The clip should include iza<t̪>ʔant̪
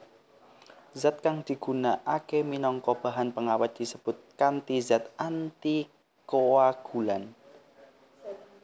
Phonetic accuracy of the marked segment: correct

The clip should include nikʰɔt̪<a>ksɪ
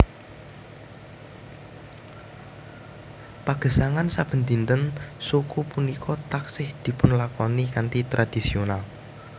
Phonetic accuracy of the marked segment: correct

